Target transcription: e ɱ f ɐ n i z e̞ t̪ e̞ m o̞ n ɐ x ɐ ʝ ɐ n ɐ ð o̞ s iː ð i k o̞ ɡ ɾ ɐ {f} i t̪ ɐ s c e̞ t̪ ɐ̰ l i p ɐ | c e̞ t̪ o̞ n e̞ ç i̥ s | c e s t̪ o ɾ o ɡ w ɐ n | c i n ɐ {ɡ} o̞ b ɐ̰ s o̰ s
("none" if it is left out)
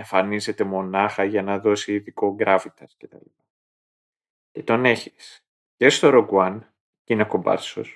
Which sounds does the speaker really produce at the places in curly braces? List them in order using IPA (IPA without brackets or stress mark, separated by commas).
f, k